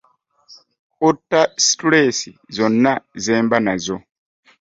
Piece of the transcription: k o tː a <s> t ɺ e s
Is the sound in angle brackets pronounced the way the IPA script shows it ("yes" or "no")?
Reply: yes